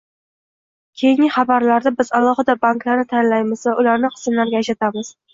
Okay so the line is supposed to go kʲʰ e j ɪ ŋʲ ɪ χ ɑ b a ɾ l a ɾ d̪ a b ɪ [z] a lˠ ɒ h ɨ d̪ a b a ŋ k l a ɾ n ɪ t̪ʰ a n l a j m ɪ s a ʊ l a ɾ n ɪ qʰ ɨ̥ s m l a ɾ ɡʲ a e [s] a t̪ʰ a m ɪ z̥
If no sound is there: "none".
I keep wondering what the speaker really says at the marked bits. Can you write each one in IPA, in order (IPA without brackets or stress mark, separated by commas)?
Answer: z, ʃ